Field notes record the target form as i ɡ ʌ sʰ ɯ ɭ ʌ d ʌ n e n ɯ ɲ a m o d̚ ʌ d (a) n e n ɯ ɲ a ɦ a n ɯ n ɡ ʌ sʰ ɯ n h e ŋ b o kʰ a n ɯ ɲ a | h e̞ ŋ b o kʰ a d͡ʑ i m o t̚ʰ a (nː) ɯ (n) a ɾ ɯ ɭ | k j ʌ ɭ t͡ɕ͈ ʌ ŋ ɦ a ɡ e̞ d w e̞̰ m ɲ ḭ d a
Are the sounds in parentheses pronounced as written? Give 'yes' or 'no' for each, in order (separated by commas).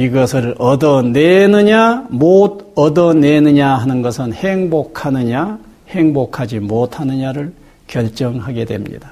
no, no, no